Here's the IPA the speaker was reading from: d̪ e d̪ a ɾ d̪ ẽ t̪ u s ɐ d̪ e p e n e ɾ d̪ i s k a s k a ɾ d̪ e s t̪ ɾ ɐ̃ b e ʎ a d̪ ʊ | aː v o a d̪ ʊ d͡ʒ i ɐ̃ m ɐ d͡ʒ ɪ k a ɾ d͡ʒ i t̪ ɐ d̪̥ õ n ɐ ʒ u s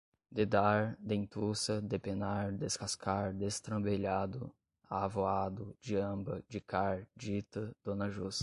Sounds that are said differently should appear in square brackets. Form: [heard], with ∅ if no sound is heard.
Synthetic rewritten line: d̪ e d̪ a ɾ d̪ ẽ t̪ u s ɐ d̪ e p e n [a] ɾ d̪ [e] s k a s k a ɾ d̪ e s t̪ ɾ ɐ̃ b e ʎ a d̪ ʊ | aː v o a d̪ ʊ d͡ʒ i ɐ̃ [b] ɐ d͡ʒ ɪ k a ɾ d͡ʒ i t̪ ɐ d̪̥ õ n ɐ ʒ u s

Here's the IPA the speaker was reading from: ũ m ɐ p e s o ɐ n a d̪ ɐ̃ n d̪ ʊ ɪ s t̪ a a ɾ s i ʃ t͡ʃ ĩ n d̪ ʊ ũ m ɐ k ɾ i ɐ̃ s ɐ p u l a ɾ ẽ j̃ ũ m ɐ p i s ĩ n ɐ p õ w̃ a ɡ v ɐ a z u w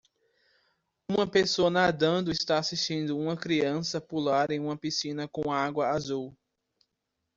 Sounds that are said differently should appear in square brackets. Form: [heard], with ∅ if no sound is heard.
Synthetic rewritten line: ũ m ɐ p e s o ɐ n a d̪ ɐ̃ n d̪ ʊ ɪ s t̪ a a [∅] s i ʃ t͡ʃ ĩ n d̪ ʊ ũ m ɐ k ɾ i ɐ̃ s ɐ p u l a ɾ ẽ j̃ ũ m ɐ p i s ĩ n ɐ [k] õ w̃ a ɡ [w] ɐ a z u w

